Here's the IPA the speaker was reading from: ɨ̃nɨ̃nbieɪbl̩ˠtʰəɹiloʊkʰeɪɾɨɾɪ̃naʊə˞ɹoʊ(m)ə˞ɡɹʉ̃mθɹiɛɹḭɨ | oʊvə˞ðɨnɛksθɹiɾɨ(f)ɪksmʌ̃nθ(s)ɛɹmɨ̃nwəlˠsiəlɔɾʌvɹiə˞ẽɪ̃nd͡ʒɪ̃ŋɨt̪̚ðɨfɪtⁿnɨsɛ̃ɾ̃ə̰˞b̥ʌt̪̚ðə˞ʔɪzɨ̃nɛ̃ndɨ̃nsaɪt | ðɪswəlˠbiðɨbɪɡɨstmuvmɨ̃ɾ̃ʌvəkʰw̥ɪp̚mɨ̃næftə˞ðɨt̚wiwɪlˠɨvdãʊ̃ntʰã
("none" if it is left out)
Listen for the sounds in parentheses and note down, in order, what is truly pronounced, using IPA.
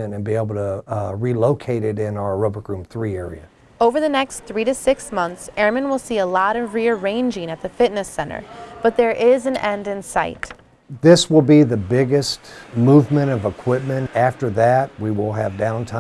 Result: b, s, s

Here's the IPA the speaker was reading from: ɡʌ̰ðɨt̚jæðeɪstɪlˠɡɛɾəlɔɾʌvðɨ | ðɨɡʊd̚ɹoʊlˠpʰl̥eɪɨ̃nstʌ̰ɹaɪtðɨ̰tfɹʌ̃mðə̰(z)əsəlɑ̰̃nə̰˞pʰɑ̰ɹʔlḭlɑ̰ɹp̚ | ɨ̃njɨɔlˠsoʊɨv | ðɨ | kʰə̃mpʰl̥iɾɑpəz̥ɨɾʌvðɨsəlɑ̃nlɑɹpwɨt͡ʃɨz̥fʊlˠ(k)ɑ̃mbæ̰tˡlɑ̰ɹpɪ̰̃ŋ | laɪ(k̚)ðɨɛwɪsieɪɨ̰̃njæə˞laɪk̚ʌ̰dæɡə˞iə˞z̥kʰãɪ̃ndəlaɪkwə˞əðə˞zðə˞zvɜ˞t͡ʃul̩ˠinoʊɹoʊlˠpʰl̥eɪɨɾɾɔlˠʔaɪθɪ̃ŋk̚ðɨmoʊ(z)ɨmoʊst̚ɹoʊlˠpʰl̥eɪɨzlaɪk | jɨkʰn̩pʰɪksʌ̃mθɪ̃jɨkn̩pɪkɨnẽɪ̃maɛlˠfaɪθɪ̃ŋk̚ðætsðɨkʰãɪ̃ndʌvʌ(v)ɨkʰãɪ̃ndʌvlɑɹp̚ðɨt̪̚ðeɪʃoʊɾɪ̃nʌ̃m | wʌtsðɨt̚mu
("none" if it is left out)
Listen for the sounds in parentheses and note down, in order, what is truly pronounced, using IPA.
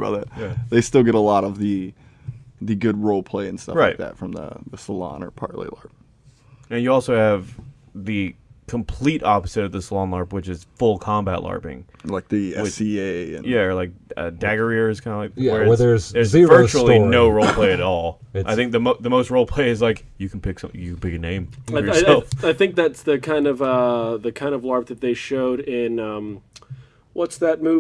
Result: ð, kʰ, k̚, ð, ð

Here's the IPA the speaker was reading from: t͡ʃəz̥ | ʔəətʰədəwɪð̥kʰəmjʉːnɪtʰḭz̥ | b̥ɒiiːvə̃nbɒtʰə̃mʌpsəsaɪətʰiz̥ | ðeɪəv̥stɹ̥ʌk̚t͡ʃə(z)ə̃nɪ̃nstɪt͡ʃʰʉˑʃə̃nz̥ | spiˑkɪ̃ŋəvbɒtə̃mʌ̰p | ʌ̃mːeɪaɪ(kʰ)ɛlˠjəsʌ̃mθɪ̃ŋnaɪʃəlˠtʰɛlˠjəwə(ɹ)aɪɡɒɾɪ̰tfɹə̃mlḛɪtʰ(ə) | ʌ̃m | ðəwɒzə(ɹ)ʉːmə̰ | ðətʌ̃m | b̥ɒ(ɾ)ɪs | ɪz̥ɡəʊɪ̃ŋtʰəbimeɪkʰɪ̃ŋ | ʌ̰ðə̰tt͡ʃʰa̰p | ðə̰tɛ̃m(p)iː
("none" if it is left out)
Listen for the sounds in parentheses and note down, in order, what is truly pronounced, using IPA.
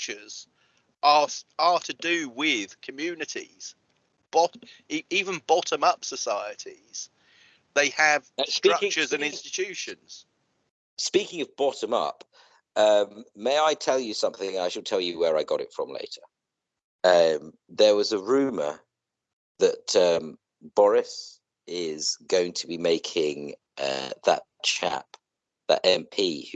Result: z, tʰ, ɹ, ə, ɹ, ɹ, pʰ

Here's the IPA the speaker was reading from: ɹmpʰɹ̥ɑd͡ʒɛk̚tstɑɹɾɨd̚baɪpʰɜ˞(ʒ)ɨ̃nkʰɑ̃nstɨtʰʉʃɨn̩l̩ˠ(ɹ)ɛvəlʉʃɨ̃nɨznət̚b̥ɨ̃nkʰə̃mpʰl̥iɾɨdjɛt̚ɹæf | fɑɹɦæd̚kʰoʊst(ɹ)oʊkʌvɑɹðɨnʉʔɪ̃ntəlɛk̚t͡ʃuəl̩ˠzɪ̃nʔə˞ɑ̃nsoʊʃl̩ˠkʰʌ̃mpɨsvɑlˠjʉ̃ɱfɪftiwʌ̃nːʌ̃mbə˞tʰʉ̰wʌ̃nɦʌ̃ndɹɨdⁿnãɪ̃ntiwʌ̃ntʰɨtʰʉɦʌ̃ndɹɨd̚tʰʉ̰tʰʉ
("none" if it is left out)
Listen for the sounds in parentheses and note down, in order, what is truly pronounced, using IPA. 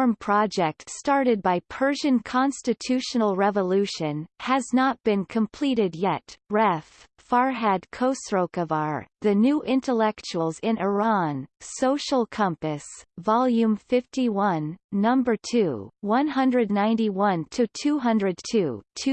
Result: ʒ, ɹ, ɹ

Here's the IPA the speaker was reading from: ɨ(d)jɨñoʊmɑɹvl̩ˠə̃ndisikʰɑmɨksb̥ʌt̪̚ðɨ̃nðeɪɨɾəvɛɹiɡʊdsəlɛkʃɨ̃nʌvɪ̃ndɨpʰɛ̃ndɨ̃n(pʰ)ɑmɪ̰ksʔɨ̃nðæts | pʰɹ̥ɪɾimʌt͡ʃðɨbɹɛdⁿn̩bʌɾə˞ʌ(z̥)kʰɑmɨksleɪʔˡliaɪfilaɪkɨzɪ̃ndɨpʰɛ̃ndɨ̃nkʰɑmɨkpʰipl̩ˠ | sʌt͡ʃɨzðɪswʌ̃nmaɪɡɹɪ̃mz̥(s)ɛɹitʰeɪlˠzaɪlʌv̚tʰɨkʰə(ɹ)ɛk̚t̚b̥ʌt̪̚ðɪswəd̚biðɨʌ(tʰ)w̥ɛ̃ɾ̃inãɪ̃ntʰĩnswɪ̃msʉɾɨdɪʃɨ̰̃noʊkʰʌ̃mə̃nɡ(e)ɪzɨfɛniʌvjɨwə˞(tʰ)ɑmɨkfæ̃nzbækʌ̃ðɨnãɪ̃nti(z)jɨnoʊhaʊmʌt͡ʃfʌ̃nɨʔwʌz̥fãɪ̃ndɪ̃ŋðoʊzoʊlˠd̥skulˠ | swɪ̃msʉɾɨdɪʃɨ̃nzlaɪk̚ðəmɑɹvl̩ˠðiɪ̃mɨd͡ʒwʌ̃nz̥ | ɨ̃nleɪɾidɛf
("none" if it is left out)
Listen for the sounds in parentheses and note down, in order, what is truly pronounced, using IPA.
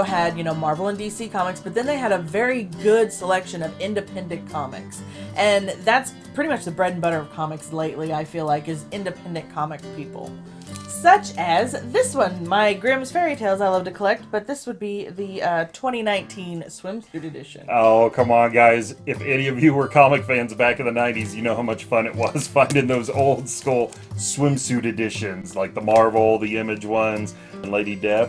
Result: d, kʰ, v̥, f, l, tʰ, a, kʰ, z

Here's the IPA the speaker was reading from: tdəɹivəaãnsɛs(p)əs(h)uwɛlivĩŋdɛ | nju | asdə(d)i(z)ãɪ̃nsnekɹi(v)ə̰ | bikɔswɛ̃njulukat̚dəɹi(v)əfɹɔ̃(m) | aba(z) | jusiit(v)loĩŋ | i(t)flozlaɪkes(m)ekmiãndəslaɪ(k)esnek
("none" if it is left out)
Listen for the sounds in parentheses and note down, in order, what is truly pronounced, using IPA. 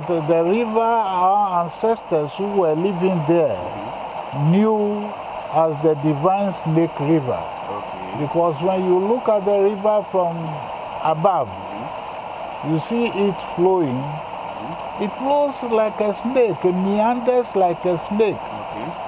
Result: t, h, d, v, v, v, m, v, f, t, n, k

